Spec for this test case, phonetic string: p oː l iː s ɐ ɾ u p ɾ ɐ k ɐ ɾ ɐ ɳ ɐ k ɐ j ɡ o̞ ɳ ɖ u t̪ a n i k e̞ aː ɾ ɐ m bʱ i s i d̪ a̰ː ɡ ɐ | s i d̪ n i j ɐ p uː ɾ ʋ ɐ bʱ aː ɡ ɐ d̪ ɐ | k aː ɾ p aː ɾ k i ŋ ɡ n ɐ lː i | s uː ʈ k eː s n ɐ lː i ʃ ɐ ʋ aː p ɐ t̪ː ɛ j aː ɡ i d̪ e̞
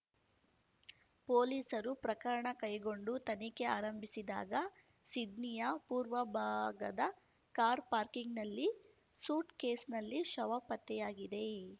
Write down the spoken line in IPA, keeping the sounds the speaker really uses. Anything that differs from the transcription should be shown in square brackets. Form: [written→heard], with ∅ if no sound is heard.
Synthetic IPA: p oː l iː s ɐ ɾ u p ɾ ɐ k ɐ ɾ ɐ ɳ ɐ k ɐ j ɡ o̞ ɳ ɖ u t̪ [a→ɐ] n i k e̞ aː ɾ ɐ m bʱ i s i d̪ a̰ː ɡ ɐ | s i d̪ n i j ɐ p uː ɾ ʋ ɐ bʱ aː ɡ ɐ d̪ ɐ | k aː ɾ p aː ɾ k i ŋ ɡ n ɐ lː i | s uː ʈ k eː s n ɐ lː i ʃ ɐ ʋ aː p ɐ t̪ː ɛ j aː ɡ i d̪ e̞

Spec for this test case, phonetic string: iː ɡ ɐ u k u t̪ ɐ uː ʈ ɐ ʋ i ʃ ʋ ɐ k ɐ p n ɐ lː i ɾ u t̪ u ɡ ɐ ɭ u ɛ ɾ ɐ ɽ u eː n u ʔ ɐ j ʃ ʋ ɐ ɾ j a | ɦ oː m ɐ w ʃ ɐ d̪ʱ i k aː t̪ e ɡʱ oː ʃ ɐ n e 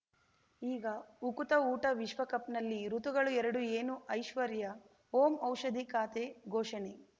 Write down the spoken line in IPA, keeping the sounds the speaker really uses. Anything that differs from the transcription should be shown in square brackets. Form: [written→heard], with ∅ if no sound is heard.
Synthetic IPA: iː ɡ ɐ u k u t̪ ɐ uː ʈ ɐ ʋ i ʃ ʋ ɐ k ɐ p n ɐ lː i ɾ u t̪ u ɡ ɐ ɭ u ɛ ɾ ɐ ɽ u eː n u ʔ ɐ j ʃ ʋ ɐ ɾ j [a→ɐ] | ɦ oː m ɐ w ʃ ɐ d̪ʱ i k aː t̪ e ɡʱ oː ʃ ɐ n e

